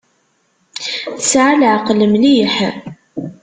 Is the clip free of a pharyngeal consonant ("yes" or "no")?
no